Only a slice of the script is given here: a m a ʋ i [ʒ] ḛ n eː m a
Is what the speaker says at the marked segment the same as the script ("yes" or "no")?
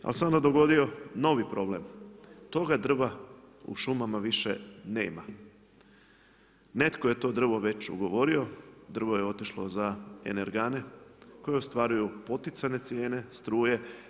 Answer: no